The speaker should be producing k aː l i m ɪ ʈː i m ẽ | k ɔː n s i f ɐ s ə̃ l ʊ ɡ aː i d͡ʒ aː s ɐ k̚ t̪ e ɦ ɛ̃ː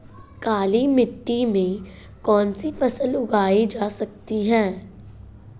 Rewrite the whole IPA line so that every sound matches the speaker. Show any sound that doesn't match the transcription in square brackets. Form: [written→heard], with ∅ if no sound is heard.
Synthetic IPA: k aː l i m ɪ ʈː i m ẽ | k ɔː n s i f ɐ s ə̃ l ʊ ɡ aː i d͡ʒ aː s ɐ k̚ t̪ [e→i] ɦ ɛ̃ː